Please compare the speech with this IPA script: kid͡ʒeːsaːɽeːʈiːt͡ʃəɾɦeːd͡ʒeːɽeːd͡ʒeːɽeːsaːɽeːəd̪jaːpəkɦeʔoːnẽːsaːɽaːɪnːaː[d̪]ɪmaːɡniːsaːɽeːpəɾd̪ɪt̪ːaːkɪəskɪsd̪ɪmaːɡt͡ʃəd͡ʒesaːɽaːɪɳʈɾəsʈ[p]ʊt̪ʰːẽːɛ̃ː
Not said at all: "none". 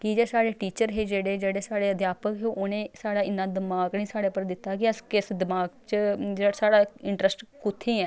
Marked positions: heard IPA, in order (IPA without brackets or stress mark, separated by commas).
d̪, k